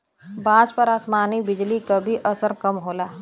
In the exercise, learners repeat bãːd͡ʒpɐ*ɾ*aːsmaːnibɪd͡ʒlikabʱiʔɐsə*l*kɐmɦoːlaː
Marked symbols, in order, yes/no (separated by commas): yes, no